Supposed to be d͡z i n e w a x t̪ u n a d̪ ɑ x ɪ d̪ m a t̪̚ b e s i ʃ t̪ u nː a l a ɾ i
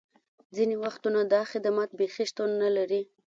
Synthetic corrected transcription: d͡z i n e w a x t̪ u n a d̪ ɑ x ɪ d̪ m a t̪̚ b e x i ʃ t̪ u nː a l a ɾ i

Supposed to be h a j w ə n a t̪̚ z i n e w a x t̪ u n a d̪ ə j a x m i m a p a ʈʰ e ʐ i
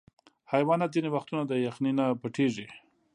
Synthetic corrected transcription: h a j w ɑ n a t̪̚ z i n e w a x t̪ u n a d̪ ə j a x n i n a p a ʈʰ e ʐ i

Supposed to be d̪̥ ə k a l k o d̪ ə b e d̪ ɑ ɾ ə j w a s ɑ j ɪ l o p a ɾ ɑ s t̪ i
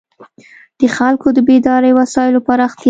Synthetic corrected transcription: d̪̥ ə x a l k o d̪ ə b e d̪ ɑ ɾ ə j w a s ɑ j ɪ l o p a ɾ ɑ x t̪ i

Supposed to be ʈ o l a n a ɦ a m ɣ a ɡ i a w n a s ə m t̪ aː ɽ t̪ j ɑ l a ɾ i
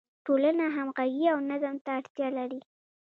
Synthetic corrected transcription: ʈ o l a n a ɦ a m ɣ a ɡ i a w n a z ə m t̪ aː ɽ t̪ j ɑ l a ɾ i

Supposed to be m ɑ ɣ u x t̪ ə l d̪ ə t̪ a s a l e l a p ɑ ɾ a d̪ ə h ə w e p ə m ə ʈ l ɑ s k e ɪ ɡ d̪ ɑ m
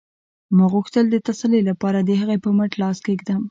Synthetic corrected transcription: m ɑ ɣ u x t̪ ə l d̪ ə t̪ a s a l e l a p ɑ ɾ a d̪ ə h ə ɣ e p ə m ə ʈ l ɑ s k e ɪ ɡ d̪ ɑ m

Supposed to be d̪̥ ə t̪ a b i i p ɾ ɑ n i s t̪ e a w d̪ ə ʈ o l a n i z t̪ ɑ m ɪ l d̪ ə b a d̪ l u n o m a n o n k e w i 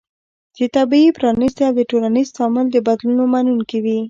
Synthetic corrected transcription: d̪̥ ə t̪ a b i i p ɾ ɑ n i s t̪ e a w d̪ ə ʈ o l a n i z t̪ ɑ m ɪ l d̪ ə b a d̪ l u n o m a n u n k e w i

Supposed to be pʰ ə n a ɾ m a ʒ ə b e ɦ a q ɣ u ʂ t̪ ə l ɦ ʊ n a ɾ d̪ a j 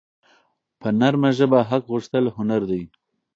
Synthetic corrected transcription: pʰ ə n a ɾ m a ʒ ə b a ɦ a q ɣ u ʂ t̪ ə l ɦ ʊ n a ɾ d̪ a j

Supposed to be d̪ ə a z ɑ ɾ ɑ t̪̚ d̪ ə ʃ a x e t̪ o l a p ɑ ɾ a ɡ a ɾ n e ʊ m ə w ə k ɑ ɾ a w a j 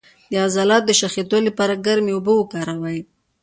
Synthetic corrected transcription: d̪ ə a z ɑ l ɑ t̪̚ d̪ ə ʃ a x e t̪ o l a p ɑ ɾ a ɡ a ɾ m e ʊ b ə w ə k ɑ ɾ a w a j

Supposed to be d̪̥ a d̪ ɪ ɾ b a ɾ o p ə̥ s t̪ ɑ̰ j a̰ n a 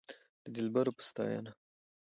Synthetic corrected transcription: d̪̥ ə d̪ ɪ l b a ɾ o p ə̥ s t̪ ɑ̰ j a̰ n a

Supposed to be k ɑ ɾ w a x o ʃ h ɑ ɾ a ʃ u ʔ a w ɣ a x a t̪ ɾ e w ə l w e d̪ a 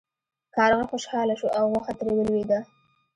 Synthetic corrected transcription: k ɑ ɾ ɣ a x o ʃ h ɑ l a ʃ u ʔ a w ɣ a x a t̪ ɾ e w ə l w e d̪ a

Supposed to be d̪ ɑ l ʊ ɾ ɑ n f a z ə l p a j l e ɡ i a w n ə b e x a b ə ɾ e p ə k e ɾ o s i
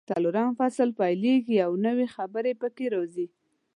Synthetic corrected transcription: t̪ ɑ l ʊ ɾ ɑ n f a s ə l p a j l e ɡ i a w n ə w e x a b ə ɾ e p ə k e ɾ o z i

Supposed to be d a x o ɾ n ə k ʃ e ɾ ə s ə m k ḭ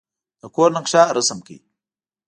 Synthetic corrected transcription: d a k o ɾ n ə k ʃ a ɾ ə s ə m k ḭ

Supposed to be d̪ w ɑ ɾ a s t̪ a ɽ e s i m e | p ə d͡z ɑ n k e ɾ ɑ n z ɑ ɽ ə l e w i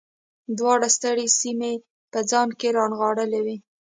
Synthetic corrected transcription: d̪ w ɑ ɽ a s t̪ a ɽ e s i m e | p ə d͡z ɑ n k e ɾ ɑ n ɣ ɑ ɽ ə l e w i

